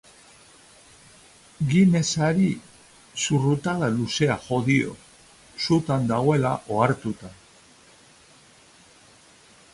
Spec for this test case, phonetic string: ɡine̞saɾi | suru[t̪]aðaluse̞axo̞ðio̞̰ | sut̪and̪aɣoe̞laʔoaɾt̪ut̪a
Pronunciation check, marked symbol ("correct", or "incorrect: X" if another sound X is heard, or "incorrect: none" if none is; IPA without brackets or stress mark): correct